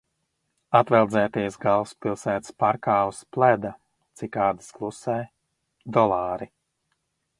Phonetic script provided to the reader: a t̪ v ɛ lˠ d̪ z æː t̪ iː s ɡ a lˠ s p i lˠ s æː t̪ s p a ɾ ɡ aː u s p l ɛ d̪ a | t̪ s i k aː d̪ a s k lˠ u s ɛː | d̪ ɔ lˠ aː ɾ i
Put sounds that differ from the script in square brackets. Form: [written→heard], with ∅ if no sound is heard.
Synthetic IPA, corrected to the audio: a t̪ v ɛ lˠ d̪ z [æː→ɛː] t̪ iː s ɡ a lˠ s p i lˠ s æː t̪ s p a ɾ [ɡ→k] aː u s p l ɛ d̪ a | t̪ s i k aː d̪ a s k lˠ u s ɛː | d̪ ɔ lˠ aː ɾ i